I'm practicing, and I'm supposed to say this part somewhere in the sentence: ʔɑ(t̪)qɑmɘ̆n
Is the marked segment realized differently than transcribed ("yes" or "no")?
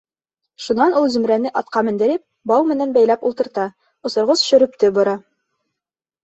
no